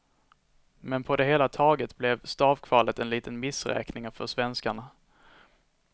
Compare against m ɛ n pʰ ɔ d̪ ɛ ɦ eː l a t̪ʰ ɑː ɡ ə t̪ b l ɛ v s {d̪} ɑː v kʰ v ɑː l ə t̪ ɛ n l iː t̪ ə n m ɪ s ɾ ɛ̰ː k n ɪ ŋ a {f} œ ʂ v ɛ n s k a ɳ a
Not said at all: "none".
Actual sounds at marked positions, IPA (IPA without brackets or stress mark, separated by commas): t̪, f